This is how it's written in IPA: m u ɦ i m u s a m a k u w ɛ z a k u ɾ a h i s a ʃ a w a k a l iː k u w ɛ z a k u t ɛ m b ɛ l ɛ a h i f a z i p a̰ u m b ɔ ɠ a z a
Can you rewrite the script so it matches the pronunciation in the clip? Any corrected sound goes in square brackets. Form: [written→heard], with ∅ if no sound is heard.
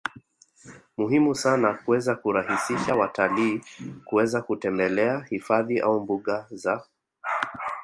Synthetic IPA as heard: m u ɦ i m u s a [m→n] a k u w ɛ z a k u ɾ a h i s [a→i] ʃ a w a [k→t] a l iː k u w ɛ z a k u t ɛ m b ɛ l ɛ a h i f a [z→ð] i [p→ʔ] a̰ u m b [ɔ→u] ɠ a z a